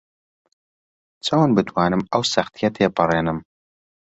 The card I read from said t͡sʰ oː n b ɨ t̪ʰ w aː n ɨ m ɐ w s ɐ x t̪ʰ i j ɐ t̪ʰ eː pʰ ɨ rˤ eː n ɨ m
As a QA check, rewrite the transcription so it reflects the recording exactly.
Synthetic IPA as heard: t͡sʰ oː n b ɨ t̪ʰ w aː n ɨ m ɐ w s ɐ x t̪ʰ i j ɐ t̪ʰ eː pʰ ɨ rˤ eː n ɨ m

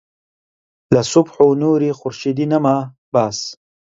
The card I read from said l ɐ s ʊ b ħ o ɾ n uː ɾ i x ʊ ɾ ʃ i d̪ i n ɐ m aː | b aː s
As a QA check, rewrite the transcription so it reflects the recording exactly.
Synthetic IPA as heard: l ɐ s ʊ b ħ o n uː ɾ i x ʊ ɾ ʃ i d̪ i n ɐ m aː | b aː s

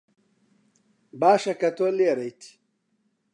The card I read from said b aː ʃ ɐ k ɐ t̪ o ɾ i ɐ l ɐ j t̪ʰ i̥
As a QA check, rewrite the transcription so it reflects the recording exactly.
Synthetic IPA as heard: b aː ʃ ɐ k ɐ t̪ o l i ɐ ɾ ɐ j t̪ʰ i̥

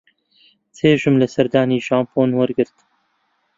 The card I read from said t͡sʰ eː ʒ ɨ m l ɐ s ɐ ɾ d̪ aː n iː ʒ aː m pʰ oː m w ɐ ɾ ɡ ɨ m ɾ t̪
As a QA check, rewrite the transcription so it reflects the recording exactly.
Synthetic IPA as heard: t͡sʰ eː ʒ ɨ m l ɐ s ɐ ɾ d̪ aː n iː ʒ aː m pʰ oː n w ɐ ɾ ɡ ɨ ɾ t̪

